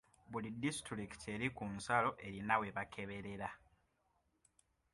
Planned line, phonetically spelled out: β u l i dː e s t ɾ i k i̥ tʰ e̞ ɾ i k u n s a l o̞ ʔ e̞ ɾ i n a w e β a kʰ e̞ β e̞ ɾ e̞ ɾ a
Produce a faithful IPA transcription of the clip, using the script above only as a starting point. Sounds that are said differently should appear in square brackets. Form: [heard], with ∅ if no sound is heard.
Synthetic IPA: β u l i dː [i] s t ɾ i k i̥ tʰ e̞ ɾ i k u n s a l o̞ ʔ e̞ ɾ i n a w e β a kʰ e̞ β e̞ ɾ e̞ ɾ a